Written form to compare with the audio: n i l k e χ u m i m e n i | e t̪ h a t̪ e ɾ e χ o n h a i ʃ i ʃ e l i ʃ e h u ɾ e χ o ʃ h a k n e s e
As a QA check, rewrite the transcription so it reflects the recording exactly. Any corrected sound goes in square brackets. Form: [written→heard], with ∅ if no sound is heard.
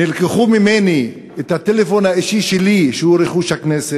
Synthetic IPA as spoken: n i l k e χ u m i m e n i | e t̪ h a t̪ e [ɾ→l] e [χ→f] o n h a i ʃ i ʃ e l i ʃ e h u ɾ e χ [o→u] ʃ h a k n e s e